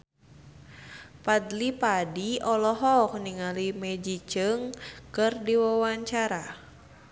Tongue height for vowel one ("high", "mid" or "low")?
low